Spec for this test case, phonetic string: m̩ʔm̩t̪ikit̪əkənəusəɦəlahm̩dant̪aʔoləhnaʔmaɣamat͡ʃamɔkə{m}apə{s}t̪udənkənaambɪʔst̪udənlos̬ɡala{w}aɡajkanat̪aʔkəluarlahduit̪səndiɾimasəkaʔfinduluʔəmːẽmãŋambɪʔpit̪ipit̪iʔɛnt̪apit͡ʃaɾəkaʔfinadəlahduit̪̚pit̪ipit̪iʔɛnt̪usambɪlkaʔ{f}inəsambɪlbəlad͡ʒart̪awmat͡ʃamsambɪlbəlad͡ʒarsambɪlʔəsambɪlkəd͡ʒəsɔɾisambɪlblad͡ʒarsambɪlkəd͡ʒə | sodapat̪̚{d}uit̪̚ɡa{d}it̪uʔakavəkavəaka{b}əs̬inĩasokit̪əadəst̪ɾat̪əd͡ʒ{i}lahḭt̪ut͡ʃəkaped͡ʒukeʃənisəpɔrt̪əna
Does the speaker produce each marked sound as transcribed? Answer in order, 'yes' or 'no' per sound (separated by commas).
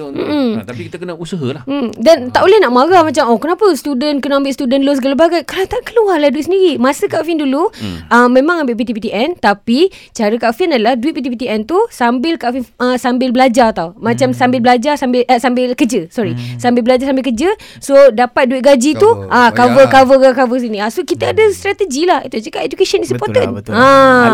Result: no, yes, no, yes, yes, no, no, yes